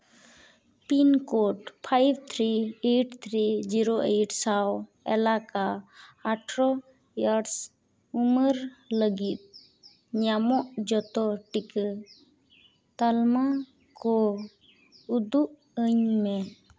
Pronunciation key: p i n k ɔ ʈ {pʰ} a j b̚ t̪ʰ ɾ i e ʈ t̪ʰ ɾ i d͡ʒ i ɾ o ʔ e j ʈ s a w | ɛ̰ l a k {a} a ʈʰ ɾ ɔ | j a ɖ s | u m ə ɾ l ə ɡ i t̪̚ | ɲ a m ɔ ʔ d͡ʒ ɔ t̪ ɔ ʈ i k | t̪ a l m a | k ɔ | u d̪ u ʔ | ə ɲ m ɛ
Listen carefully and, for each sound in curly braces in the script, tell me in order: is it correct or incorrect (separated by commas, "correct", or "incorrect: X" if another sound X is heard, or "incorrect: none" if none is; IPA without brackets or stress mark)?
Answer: correct, correct